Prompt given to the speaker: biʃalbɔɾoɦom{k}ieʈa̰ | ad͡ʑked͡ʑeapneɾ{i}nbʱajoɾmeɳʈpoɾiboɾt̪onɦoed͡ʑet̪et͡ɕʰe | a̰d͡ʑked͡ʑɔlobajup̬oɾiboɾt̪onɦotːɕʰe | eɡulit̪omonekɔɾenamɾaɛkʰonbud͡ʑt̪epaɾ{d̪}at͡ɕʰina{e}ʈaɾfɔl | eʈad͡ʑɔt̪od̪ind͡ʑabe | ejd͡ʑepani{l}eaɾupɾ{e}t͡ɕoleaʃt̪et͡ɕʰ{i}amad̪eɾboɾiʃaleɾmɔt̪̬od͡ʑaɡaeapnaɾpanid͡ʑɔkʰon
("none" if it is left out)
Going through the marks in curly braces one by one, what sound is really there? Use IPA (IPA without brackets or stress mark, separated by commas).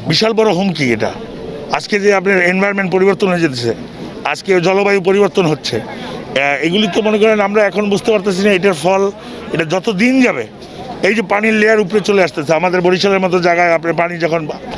k, e, t̪, e, l, e, e